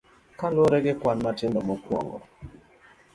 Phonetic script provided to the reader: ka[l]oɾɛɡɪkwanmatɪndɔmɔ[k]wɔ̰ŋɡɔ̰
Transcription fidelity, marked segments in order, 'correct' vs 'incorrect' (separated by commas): correct, correct